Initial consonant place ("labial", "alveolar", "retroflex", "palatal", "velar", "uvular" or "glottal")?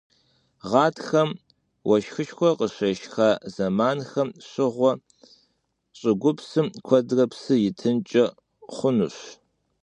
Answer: uvular